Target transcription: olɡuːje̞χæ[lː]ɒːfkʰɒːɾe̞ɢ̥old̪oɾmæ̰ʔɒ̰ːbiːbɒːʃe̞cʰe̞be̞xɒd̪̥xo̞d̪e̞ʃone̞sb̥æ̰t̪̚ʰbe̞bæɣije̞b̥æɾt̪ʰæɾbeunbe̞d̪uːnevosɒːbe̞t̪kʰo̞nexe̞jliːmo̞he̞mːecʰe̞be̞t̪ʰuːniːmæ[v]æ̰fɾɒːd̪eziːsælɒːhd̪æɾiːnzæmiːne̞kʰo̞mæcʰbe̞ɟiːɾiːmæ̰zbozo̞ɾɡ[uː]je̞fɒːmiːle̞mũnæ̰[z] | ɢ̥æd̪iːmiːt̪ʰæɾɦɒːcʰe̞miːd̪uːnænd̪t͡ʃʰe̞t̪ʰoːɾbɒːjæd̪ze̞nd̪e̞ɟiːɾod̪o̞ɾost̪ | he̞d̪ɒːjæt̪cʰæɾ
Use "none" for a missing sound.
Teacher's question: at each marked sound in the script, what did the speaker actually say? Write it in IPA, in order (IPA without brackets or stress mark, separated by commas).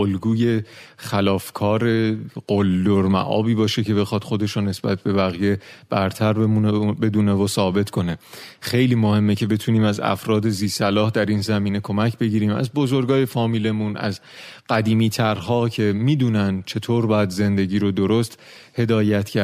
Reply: l, z, ɒː, z